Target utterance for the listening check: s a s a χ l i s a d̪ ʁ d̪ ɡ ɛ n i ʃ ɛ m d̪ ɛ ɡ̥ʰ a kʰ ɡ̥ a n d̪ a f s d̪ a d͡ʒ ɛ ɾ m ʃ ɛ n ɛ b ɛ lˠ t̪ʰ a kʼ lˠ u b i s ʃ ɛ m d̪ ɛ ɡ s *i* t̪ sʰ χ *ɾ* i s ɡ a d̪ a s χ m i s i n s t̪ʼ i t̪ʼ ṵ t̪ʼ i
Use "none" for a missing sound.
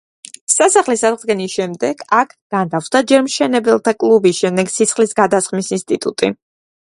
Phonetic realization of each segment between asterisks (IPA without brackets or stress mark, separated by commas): i, l